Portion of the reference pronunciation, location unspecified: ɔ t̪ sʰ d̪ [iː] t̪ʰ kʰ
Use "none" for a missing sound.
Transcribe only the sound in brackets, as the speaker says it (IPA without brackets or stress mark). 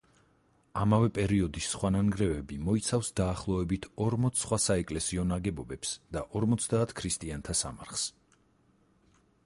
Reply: aː